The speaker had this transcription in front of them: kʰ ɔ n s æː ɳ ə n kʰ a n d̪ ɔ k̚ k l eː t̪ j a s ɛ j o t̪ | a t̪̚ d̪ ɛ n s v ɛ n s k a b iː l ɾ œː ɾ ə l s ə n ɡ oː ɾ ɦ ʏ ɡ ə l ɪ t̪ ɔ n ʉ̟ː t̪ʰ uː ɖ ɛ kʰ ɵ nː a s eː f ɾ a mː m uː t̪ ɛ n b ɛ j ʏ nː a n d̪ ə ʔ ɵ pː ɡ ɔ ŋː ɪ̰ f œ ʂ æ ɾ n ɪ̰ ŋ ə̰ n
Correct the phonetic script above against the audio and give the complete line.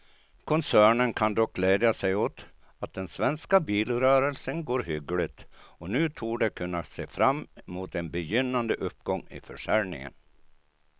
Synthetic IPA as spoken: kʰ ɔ n s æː ɳ ə n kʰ a n d̪ ɔ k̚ ɡ l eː d̪ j a s ɛ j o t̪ | a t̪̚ d̪ ɛ n s v ɛ n s k a b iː l ɾ œː ɾ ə l s ə n ɡ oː ɾ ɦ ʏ ɡ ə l ɪ t̪ ɔ n ʉ̟ː t̪ʰ uː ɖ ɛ kʰ ɵ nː a s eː f ɾ a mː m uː t̪ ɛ n b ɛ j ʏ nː a n d̪ ə ʔ ɵ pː ɡ ɔ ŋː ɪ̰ f œ ʂ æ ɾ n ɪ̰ ŋ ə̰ n